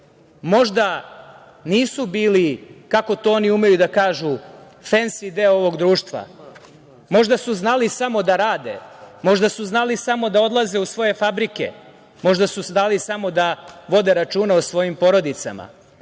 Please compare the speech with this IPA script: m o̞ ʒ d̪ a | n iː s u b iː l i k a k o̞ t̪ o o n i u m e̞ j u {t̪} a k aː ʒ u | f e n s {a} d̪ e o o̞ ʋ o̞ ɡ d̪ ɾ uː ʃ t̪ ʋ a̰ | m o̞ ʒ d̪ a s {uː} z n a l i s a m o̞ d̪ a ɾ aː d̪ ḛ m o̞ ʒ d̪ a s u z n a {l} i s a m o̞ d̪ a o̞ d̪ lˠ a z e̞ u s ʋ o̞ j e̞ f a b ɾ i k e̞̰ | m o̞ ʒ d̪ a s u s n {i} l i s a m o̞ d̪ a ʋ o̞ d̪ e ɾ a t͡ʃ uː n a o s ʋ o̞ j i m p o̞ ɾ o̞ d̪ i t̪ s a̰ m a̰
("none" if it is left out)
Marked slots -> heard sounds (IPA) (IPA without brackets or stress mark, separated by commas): d̪, i, u, l, a